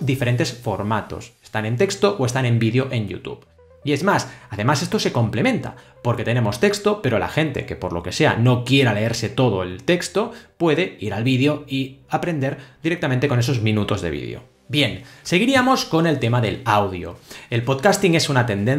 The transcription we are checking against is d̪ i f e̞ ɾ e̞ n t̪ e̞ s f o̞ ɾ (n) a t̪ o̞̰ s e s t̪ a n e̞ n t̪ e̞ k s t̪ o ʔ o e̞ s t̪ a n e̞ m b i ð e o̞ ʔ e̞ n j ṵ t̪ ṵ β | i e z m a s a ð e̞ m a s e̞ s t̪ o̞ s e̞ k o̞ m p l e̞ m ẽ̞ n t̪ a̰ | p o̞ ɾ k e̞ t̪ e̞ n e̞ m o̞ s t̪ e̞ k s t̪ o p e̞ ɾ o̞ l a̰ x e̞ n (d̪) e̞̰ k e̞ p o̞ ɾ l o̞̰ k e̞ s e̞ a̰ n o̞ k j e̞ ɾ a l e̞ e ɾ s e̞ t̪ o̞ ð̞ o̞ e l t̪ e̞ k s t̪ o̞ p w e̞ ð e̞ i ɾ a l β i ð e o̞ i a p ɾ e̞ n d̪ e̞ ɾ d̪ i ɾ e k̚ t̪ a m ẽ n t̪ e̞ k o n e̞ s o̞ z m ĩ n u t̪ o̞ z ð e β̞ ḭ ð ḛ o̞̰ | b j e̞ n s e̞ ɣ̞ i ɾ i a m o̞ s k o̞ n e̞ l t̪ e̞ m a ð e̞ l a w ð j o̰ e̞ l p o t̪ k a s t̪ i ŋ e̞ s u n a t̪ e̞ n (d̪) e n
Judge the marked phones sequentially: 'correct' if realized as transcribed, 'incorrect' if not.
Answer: incorrect: m, incorrect: t̪, correct

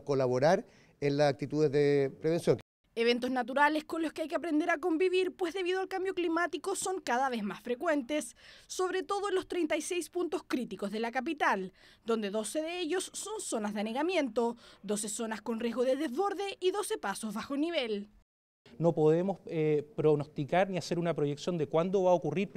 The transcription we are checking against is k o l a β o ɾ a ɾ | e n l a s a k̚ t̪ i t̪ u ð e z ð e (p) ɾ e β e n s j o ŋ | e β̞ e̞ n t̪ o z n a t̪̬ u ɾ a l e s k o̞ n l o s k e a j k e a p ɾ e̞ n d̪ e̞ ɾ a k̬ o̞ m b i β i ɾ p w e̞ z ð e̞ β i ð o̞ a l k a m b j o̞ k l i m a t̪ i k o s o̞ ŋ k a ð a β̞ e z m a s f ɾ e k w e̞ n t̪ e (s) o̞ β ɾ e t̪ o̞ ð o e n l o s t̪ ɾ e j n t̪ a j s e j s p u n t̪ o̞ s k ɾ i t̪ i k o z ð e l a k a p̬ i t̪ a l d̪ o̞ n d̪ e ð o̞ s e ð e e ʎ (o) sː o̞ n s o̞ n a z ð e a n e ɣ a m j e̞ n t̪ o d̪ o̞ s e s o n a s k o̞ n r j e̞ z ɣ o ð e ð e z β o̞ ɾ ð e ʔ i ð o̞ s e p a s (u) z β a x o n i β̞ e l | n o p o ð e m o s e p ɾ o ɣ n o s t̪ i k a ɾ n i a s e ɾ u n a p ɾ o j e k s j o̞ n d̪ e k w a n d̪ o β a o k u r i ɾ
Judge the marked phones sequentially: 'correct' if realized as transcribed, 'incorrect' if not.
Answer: correct, incorrect: sː, correct, incorrect: o

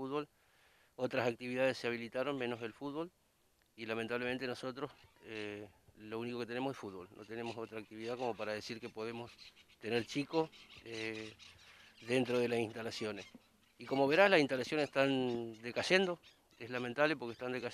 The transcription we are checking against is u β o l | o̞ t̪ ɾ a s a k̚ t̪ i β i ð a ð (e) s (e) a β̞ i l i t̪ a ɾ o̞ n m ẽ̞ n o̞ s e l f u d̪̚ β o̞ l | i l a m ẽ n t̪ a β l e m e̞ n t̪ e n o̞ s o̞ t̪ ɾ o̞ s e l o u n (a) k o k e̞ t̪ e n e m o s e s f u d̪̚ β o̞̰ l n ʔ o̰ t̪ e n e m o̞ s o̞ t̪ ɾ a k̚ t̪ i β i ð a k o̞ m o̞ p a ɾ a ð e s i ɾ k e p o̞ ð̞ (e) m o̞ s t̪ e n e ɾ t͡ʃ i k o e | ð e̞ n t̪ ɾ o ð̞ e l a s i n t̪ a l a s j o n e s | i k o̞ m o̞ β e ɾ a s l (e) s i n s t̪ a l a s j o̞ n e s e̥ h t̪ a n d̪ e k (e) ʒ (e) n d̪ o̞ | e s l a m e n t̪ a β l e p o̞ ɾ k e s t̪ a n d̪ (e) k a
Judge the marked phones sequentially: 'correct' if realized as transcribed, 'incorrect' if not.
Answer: correct, correct, incorrect: i, correct, incorrect: a, incorrect: a, correct, correct

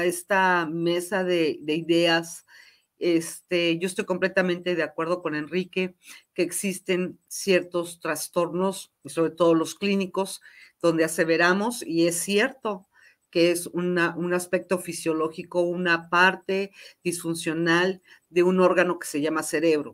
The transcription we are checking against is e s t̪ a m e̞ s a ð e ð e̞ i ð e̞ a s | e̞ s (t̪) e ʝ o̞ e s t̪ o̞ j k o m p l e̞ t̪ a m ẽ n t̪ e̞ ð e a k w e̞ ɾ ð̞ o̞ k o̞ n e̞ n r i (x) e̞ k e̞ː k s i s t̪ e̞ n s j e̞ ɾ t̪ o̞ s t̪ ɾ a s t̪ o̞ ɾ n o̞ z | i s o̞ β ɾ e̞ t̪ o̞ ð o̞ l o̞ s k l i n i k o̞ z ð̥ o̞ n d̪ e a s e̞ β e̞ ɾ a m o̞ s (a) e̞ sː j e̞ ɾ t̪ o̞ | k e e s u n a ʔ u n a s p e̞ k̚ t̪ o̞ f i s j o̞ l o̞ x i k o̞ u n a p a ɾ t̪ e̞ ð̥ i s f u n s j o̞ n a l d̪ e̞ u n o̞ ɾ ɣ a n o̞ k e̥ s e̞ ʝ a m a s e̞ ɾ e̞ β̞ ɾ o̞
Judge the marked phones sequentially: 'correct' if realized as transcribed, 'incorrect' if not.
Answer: correct, incorrect: k, incorrect: i

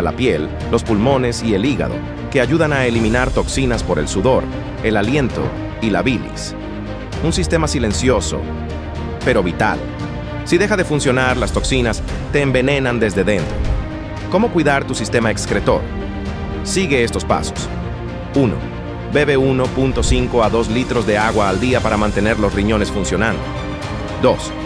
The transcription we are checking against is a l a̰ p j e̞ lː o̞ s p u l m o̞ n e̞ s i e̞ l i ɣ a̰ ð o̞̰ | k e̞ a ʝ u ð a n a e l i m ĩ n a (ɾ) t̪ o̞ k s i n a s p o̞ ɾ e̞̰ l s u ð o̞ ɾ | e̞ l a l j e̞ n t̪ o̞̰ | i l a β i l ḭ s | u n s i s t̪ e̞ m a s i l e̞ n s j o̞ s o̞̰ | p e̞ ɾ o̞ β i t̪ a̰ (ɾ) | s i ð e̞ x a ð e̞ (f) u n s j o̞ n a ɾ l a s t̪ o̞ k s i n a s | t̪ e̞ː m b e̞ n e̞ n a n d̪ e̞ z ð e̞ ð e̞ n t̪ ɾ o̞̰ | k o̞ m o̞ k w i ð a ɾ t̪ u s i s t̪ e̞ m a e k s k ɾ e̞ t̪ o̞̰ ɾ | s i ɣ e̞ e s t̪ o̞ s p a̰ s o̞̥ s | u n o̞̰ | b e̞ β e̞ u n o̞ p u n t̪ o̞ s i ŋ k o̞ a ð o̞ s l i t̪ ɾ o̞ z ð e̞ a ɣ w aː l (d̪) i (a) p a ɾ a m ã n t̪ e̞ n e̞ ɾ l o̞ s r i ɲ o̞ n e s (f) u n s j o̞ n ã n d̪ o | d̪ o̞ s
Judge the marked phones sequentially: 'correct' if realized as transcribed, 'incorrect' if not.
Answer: correct, incorrect: l, correct, correct, correct, correct

